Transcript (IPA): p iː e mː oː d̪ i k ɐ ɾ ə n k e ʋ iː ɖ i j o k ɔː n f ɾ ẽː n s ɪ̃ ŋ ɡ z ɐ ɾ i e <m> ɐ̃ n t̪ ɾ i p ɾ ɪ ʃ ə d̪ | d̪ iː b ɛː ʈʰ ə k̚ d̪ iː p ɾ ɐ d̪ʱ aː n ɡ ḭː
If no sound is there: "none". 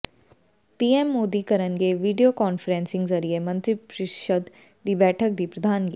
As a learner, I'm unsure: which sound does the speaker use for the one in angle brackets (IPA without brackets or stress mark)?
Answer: m